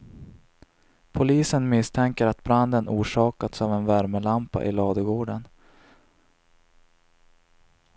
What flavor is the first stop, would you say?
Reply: aspirated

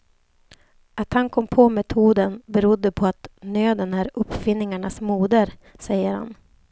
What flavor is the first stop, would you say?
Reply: plain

